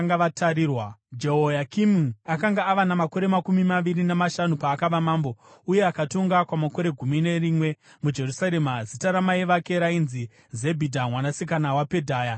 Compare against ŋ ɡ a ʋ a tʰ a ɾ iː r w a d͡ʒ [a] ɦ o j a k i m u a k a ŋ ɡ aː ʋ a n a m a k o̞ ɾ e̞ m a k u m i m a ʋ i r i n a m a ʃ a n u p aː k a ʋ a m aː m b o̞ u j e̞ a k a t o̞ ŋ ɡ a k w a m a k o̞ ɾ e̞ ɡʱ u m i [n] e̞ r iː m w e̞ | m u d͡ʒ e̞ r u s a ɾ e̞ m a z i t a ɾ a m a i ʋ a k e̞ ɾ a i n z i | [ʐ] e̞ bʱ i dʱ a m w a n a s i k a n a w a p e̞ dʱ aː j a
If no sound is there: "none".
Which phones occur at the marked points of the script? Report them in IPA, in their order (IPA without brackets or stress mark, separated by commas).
e, n, z